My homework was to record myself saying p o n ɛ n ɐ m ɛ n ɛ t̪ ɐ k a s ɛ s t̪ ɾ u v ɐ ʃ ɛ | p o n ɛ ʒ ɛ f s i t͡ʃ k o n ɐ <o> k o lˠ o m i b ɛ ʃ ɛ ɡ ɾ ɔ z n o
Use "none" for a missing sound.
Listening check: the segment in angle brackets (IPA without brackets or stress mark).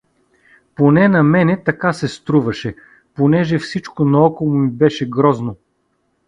ɔ